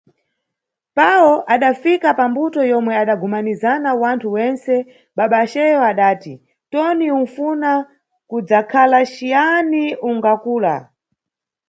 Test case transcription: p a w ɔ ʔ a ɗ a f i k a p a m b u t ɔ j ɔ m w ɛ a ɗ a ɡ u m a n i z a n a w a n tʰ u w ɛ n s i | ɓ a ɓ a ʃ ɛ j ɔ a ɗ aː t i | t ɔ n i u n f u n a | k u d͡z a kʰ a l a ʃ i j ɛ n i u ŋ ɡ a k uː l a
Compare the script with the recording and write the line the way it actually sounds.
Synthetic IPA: p a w ɔ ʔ a ɗ a f i k a p a m b u t ɔ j ɔ m w ɛ a ɗ a ɡ u m a n i z a n a w a n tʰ u w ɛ n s ɛ | ɓ a ɓ a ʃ ɛ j ɔ a ɗ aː t i | t ɔ n i u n f u n a | k u d͡z a kʰ a l a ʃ i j a n i u ŋ ɡ a k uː l a